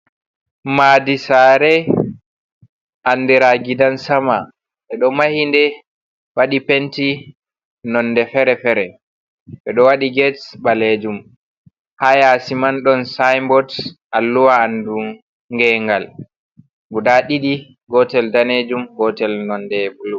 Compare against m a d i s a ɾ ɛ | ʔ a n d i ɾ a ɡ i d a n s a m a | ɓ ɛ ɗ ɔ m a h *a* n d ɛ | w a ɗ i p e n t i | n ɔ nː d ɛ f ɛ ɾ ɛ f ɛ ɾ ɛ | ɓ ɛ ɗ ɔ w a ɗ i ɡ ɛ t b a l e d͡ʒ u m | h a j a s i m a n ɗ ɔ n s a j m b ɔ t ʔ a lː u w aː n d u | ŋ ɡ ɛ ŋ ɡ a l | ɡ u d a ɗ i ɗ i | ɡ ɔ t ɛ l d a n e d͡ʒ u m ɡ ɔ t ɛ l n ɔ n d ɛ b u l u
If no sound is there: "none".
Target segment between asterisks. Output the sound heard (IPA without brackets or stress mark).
i